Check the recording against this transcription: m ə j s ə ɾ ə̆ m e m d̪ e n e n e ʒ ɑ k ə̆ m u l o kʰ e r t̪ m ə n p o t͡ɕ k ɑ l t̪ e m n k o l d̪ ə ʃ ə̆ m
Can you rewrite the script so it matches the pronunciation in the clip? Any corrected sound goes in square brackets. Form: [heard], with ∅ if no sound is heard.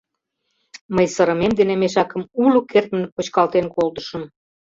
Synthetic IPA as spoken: m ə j s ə ɾ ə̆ m e m d̪ e n e [m] e [ʃ] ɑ k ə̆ m u l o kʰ e r t̪ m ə n p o t͡ɕ k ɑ l t̪ e [∅] n k o l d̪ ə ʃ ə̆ m